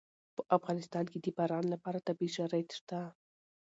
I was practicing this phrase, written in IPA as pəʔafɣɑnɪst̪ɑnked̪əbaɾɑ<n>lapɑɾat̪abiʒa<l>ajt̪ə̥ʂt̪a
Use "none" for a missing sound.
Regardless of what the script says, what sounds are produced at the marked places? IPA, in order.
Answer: n, ɾ

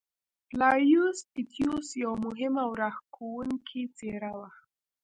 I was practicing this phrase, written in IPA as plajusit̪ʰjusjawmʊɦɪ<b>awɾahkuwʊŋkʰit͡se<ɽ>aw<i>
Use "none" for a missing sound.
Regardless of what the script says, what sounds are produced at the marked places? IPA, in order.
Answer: m, ɾ, a

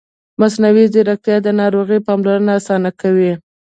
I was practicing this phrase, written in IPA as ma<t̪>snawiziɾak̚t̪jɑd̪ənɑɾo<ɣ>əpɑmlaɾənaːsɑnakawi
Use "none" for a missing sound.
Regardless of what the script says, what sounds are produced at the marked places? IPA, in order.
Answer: none, ɣ

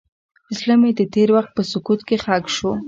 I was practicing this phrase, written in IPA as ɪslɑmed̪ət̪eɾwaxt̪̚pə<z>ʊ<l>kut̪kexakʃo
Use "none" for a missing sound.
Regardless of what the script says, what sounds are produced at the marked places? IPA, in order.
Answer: s, none

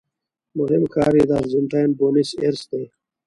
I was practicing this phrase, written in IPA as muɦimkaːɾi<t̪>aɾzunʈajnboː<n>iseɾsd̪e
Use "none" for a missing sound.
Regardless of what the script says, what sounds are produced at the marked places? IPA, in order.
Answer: d̪, n

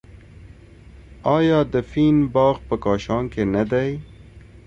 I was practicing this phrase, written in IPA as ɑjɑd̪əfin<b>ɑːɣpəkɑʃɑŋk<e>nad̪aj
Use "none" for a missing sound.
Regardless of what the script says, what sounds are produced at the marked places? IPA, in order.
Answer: b, e

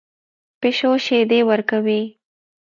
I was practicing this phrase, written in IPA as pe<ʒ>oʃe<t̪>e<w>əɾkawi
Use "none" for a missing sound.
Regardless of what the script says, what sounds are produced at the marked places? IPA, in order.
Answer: ʃ, d̪, w

